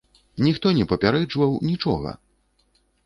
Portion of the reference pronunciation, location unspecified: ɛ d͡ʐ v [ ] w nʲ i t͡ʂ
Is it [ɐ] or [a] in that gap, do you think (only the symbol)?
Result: ɐ